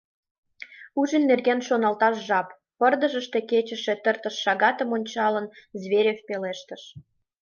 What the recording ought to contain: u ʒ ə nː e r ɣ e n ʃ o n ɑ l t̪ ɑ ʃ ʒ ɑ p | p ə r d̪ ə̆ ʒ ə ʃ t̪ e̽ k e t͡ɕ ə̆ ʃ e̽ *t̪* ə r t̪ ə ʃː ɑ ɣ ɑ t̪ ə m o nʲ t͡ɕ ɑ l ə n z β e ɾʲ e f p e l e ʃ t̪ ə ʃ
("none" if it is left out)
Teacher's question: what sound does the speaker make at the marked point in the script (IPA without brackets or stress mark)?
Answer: t̪